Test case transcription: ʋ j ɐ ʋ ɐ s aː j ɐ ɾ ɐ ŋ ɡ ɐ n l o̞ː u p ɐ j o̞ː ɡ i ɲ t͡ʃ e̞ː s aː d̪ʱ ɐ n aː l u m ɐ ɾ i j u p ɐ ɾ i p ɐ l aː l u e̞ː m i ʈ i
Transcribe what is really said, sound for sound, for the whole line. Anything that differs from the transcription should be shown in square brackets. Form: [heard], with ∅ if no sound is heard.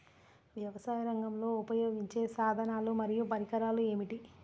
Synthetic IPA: ʋ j ɐ ʋ ɐ s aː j ɐ ɾ ɐ ŋ ɡ ɐ [m] l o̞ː u p ɐ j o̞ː ɡ i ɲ t͡ʃ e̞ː s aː d̪ʱ ɐ n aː l u m ɐ ɾ i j u p ɐ ɾ i [k] ɐ [ɾ] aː l u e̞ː m i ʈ i

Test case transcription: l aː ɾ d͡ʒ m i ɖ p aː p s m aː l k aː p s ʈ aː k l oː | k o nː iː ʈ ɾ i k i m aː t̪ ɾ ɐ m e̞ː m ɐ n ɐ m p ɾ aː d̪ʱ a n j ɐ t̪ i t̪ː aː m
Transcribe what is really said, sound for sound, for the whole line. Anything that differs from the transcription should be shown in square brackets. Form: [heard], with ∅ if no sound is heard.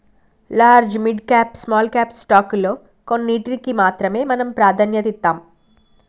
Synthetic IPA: l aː ɾ d͡ʒ m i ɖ [k] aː p s m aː l k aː p s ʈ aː k l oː | k o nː iː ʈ ɾ i k i m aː t̪ ɾ ɐ m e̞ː m ɐ n ɐ m p ɾ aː d̪ʱ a n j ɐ t̪ i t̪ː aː m

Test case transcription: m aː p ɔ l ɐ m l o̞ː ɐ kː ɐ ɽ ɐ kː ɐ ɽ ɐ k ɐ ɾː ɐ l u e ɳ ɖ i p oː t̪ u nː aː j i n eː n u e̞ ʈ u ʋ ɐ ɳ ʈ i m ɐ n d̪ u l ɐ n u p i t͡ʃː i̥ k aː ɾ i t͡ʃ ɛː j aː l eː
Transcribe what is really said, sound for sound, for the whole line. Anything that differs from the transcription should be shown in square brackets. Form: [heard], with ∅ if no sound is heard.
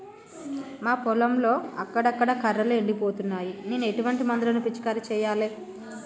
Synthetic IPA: m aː p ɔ l ɐ m l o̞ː ɐ kː ɐ ɽ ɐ kː ɐ ɽ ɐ k ɐ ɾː ɐ l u e ɳ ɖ i p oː t̪ u nː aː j i n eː n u e̞ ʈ u ʋ ɐ ɳ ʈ i m ɐ n d̪ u l ɐ n u p i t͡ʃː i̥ k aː ɾ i t͡ʃ ɛː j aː l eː

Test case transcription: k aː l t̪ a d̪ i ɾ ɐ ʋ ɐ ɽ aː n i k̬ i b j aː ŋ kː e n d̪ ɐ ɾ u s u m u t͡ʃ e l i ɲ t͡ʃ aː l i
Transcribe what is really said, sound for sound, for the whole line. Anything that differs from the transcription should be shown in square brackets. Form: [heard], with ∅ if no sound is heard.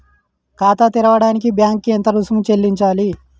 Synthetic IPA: k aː [∅] t̪ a [t̪] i ɾ ɐ ʋ ɐ ɽ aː n i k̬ i b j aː ŋ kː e n [t̪] ɐ ɾ u s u m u t͡ʃ e [lː] i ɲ t͡ʃ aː l i

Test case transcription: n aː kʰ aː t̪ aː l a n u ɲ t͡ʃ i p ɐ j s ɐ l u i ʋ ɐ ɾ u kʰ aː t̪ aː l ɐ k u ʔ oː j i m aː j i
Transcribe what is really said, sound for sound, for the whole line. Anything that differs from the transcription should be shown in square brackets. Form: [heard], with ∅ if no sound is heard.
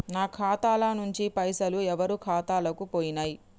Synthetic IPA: n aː kʰ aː t̪ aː l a n u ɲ t͡ʃ i p ɐ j s ɐ l u [ɛ] ʋ ɐ ɾ u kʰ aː t̪ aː l ɐ k u [p] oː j i [n] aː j i

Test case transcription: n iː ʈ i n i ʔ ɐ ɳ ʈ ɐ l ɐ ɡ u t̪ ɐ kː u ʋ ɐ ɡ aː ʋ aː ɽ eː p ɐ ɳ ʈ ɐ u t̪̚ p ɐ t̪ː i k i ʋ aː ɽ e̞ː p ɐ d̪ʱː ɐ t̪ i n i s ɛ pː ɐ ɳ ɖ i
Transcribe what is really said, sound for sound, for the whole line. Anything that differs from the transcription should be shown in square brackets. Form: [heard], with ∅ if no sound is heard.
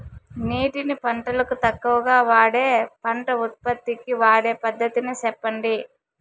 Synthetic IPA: n iː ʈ i n i [p] ɐ ɳ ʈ ɐ l ɐ [k] u t̪ ɐ kː u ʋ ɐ ɡ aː ʋ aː ɽ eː p ɐ ɳ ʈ ɐ u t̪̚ p ɐ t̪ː i k i ʋ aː ɽ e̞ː p ɐ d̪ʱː ɐ t̪ i n i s ɛ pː ɐ ɳ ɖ i

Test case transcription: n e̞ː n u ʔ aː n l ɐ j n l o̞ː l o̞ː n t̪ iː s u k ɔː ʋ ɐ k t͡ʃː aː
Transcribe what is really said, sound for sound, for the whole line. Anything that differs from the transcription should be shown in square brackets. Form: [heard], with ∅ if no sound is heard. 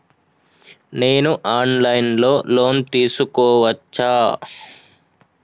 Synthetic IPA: n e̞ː n u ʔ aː n l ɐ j n l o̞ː l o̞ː n t̪ iː s u k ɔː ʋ ɐ [∅] t͡ʃː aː

